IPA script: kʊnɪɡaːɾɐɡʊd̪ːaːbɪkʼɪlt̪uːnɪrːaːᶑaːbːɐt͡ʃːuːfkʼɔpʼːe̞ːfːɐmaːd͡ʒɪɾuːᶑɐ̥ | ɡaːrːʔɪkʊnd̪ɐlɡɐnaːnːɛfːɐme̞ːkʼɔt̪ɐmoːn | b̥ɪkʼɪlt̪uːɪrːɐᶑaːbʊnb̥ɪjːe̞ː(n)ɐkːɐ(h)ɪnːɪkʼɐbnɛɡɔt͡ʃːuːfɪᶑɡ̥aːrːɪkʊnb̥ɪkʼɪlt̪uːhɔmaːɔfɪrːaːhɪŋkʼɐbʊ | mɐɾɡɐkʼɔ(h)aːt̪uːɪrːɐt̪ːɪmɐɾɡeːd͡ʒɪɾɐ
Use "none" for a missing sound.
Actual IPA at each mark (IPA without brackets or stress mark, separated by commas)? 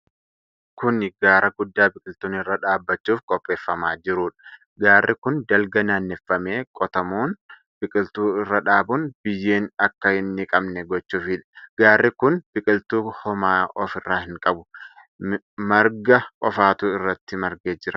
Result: n, h, f